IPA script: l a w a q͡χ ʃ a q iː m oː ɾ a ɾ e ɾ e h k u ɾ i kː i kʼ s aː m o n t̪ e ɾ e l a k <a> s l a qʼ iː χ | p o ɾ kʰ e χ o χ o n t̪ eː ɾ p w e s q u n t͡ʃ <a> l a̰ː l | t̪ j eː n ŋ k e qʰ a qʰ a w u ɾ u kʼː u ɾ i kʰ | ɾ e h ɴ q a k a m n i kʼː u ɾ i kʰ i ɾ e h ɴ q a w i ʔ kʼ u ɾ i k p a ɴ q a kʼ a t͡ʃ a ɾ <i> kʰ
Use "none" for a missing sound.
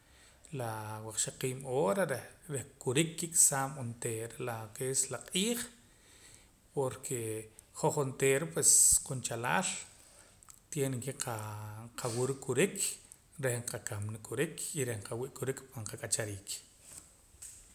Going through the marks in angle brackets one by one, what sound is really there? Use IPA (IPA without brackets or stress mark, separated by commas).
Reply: e, a, iː